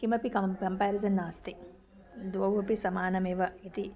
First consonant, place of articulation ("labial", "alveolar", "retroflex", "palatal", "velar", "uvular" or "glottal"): velar